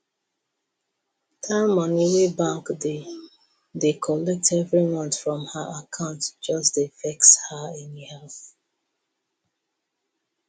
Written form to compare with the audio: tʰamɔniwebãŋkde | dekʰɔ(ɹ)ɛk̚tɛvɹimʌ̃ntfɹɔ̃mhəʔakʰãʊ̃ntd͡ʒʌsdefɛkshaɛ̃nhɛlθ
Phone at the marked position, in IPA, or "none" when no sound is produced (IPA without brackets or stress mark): l